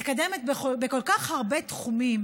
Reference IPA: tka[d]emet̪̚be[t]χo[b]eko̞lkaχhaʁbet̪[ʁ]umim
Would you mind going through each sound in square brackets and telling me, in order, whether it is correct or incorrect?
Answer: correct, incorrect, correct, incorrect

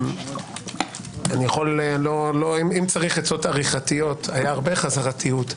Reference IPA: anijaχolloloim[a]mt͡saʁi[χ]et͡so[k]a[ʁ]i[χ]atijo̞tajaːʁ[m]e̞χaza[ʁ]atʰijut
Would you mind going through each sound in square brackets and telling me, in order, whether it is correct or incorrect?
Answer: incorrect, correct, incorrect, correct, correct, incorrect, correct

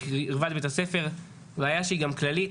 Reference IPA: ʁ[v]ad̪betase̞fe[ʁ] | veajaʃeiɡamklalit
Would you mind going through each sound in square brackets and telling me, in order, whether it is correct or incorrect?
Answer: correct, correct

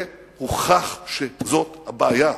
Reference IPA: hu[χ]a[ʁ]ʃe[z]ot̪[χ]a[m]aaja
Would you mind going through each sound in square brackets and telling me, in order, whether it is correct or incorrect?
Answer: correct, incorrect, correct, incorrect, incorrect

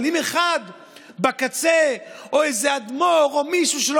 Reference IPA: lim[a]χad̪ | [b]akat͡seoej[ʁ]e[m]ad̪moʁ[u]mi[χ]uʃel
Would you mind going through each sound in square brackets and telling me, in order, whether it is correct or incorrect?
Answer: incorrect, correct, incorrect, incorrect, incorrect, incorrect

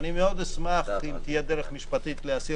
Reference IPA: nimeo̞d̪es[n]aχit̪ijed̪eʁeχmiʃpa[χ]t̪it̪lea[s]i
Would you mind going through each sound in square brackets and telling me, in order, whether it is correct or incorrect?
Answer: incorrect, incorrect, correct

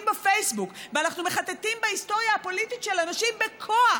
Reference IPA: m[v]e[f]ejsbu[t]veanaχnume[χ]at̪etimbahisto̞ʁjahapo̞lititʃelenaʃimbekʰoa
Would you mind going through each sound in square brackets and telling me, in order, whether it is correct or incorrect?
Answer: incorrect, correct, incorrect, correct

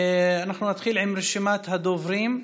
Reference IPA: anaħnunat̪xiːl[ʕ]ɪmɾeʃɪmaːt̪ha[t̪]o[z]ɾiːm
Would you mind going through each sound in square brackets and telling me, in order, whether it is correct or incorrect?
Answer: correct, incorrect, incorrect

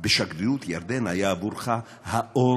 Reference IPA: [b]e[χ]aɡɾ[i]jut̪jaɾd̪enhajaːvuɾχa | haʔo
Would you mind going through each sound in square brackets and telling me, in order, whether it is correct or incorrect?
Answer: correct, incorrect, correct

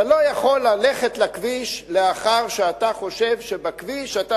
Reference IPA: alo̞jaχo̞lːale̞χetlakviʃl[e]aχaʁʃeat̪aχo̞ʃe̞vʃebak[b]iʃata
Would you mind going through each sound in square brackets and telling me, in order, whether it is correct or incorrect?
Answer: correct, incorrect

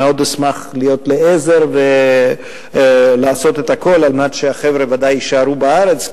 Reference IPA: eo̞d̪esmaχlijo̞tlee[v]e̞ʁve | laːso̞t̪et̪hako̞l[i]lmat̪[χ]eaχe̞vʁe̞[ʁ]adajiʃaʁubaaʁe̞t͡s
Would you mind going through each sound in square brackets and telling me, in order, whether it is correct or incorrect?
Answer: incorrect, incorrect, incorrect, incorrect

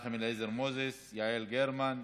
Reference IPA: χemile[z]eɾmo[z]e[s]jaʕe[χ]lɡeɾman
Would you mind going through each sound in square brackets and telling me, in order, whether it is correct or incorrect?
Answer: correct, correct, correct, incorrect

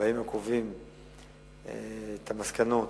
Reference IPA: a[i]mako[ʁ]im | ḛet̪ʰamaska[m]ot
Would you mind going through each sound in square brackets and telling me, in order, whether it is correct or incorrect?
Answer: correct, incorrect, incorrect

